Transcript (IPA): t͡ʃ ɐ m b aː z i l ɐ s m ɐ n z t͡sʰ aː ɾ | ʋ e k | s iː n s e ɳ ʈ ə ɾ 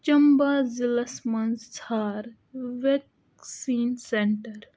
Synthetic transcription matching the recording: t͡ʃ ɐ m b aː z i l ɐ s m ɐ n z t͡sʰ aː ɾ | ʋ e k | s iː n s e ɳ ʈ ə ɾ